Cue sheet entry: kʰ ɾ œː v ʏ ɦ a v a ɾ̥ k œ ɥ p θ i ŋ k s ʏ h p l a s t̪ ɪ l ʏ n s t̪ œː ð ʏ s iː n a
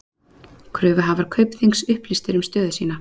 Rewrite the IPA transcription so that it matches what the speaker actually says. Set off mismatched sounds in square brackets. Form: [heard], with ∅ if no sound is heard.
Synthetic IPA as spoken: kʰ ɾ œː v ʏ ɦ a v a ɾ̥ [kʰ] œ ɥ p θ i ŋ k s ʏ h p l [i] s t̪ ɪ [ɾ] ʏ [m] s t̪ œː ð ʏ s iː n a